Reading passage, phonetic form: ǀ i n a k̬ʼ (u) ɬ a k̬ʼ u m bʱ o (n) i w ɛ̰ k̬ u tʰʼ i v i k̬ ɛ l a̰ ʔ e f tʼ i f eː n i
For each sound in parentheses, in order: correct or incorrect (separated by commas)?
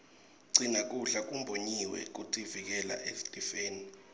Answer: correct, incorrect